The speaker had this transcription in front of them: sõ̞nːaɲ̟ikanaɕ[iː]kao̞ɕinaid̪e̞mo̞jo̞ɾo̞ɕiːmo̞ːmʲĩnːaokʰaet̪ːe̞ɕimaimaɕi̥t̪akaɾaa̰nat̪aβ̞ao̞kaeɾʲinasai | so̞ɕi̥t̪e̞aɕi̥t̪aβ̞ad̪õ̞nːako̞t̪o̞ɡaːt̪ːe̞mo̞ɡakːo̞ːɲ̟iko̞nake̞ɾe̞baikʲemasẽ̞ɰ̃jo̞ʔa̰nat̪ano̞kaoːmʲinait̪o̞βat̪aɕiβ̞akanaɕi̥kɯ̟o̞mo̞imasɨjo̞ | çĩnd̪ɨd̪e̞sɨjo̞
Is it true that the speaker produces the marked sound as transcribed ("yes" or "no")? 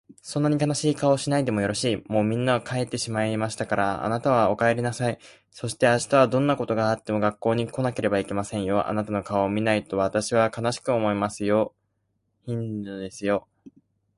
yes